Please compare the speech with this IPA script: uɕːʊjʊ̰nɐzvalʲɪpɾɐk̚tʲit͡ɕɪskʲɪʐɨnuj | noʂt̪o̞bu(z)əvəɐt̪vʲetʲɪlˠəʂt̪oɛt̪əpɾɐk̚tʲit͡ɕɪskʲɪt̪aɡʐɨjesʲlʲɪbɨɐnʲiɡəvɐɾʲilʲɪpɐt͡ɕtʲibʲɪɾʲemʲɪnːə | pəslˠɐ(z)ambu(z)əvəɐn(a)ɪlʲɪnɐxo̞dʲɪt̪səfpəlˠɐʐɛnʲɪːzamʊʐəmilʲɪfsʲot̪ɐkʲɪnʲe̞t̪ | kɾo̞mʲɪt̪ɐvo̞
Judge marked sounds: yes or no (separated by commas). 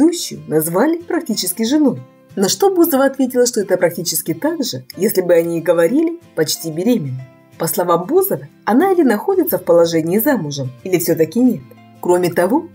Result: yes, no, yes, yes